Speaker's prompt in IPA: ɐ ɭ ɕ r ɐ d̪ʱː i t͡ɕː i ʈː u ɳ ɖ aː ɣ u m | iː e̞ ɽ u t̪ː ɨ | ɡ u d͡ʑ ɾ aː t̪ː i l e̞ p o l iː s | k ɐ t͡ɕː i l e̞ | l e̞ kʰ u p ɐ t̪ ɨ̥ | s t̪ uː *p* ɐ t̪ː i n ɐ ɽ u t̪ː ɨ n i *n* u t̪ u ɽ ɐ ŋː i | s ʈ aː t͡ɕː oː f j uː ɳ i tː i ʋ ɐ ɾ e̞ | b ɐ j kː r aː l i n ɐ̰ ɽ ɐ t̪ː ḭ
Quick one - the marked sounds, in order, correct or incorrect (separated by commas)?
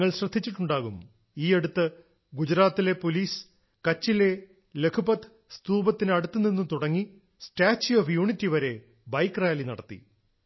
incorrect, incorrect